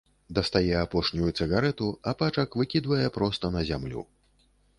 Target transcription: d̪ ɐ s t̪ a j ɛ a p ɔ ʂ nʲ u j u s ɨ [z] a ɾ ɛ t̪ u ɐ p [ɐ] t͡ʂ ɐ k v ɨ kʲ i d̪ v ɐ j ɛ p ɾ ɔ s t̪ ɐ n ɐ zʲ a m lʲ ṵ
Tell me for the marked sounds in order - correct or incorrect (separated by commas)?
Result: incorrect, incorrect